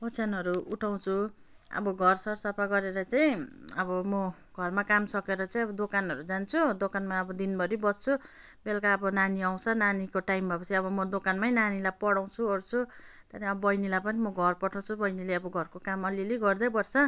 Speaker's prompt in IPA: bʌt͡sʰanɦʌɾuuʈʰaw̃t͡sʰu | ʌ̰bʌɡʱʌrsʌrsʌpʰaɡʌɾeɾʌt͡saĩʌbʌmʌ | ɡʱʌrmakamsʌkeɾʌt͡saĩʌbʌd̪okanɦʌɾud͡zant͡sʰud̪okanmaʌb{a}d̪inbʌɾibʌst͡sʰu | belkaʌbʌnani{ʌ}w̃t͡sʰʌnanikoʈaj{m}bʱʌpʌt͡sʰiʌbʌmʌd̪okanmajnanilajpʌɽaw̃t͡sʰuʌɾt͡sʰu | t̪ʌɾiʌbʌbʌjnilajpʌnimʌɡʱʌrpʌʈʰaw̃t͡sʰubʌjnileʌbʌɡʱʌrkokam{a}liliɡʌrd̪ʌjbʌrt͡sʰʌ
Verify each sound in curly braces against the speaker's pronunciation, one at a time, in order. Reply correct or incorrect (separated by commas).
incorrect, incorrect, correct, incorrect